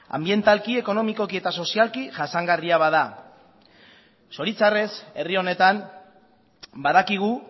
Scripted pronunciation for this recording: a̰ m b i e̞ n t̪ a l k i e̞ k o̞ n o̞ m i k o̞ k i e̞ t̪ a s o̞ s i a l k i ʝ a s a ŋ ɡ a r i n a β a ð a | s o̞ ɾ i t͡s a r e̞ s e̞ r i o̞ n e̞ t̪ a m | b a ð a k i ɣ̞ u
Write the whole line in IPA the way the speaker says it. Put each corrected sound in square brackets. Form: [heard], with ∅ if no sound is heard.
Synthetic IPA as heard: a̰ m b i e̞ n t̪ a l k i e̞ k o̞ n o̞ m i k o̞ k i e̞ t̪ a s o̞ s i a l k i ʝ a s a ŋ ɡ a r i [∅] a β a ð a | s o̞ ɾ i t͡s a r e̞ s e̞ r i o̞ n e̞ t̪ a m | b a ð a k i ɣ̞ u

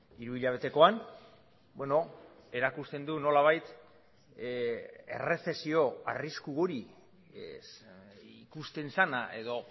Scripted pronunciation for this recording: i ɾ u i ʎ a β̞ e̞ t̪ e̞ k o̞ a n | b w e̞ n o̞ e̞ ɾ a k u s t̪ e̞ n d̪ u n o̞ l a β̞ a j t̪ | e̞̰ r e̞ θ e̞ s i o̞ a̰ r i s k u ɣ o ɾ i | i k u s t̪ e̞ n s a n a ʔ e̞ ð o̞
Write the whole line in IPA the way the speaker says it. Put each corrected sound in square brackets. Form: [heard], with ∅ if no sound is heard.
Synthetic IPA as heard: i ɾ u i ʎ a β̞ e̞ t̪ e̞ k o̞ a n | b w e̞ n o̞ e̞ ɾ a k u s t̪ e̞ n d̪ u n o̞ l a β̞ a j t̪ | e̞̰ r e̞ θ e̞ s i o̞ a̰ r i s k u ɣ o ɾ i | i k u s t̪ e̞ n s a n a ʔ e̞ ð o̞

